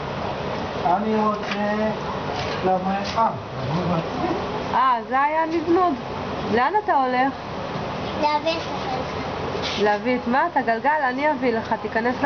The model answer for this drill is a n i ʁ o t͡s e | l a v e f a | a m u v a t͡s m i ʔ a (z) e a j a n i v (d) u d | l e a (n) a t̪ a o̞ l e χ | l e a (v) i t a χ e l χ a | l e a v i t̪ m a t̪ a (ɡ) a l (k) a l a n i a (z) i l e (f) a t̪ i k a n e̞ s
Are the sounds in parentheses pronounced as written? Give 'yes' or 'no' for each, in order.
yes, no, yes, yes, yes, no, no, no

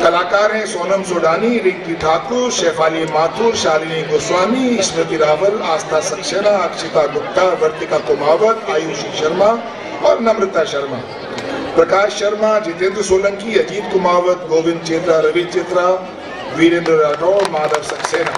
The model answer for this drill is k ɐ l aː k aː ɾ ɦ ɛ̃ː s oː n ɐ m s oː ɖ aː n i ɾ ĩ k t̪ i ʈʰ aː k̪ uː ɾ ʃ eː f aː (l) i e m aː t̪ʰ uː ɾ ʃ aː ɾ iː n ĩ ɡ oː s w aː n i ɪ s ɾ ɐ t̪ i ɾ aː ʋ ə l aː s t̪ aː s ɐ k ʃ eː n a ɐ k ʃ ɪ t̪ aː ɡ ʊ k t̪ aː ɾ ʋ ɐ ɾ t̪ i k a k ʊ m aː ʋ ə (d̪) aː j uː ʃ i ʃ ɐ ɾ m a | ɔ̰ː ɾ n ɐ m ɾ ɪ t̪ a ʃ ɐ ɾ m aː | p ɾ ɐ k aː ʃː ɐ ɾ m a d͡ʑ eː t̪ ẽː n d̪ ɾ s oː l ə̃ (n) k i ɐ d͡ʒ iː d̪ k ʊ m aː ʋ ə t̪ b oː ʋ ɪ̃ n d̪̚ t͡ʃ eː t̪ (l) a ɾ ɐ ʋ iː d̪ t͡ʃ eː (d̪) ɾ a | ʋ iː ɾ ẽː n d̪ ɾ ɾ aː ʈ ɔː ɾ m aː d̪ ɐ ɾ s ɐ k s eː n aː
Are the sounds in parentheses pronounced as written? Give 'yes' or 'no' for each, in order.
yes, no, no, no, no

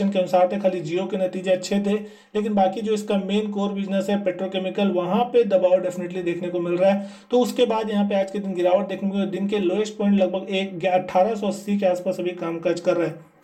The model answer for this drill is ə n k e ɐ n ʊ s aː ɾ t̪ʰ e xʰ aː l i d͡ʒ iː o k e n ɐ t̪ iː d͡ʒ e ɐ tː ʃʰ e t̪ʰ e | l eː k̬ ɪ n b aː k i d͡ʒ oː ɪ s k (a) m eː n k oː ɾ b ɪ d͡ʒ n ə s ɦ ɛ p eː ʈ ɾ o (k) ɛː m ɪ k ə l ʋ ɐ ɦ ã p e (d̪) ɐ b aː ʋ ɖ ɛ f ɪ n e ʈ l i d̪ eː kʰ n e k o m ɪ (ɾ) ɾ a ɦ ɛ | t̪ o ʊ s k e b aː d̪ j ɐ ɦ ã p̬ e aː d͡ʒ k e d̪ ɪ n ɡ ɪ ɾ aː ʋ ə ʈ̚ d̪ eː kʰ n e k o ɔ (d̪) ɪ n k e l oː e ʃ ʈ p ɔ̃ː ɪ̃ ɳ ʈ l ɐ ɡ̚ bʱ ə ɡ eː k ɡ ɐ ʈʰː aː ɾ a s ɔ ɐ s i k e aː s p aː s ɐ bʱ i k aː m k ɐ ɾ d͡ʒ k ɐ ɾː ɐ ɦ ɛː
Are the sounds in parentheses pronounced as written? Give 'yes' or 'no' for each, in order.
yes, yes, yes, no, yes

